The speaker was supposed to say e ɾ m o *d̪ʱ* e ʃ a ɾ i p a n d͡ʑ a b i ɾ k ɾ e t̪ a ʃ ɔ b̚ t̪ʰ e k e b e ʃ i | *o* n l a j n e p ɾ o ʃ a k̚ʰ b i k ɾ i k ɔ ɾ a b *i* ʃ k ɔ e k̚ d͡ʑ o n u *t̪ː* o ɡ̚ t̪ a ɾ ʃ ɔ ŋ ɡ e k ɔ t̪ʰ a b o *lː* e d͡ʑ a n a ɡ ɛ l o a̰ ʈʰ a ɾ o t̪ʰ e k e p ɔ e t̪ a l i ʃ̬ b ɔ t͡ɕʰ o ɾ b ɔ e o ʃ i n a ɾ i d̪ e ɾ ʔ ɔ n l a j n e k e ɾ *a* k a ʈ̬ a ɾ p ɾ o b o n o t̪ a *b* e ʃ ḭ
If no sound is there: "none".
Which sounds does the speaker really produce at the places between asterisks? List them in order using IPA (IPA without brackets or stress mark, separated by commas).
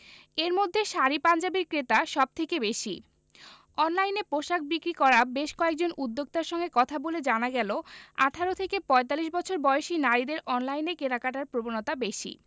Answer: d̪ʱː, ɔ, e, d̪ː, l, a, b